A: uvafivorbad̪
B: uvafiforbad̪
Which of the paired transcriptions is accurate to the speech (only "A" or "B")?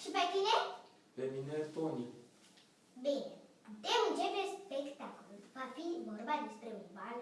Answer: A